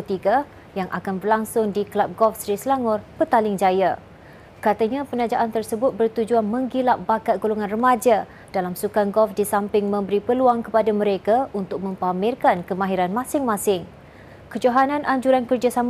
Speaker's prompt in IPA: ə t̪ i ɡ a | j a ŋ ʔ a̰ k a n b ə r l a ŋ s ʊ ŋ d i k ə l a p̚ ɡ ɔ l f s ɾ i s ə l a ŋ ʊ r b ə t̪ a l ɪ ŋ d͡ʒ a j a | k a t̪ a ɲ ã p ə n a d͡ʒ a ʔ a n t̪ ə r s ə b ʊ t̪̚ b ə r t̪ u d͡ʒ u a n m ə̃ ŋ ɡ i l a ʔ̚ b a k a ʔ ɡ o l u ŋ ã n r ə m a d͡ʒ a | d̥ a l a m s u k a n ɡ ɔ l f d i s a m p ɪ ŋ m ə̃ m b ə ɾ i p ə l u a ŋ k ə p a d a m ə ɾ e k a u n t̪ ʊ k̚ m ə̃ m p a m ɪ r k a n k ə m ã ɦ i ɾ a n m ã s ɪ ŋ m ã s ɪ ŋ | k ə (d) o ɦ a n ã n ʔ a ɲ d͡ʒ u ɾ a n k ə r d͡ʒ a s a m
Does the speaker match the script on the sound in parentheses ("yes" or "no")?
no